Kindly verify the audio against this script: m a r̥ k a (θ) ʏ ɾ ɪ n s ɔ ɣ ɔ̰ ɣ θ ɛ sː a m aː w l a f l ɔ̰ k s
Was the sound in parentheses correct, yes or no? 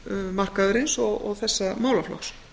no